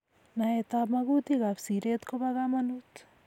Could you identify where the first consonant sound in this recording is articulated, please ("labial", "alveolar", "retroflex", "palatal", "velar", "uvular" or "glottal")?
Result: alveolar